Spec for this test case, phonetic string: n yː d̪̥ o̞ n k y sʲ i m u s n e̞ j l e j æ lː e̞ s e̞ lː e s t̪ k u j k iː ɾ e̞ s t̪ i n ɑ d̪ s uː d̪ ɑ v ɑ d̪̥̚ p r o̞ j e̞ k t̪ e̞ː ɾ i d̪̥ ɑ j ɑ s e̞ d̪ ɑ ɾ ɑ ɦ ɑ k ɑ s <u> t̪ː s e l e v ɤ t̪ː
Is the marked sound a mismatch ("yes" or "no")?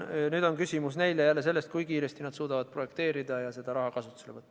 no